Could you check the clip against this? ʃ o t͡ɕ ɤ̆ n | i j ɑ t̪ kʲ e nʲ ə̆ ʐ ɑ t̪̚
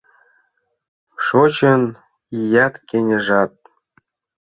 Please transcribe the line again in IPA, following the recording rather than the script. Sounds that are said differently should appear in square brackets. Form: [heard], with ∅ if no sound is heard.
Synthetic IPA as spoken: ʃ o t͡ɕ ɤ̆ n | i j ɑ t̪ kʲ e nʲ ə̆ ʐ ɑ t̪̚